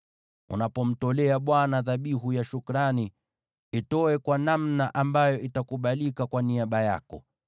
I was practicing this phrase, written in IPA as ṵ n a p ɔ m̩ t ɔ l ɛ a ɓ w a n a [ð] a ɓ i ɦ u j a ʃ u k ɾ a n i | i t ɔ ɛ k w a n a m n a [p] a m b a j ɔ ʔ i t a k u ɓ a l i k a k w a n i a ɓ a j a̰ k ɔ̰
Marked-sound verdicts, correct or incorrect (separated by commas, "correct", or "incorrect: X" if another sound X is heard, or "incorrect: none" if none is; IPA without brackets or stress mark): correct, incorrect: ʔ